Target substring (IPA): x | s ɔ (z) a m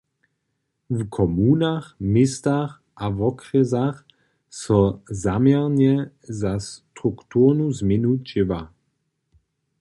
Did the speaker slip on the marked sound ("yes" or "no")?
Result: no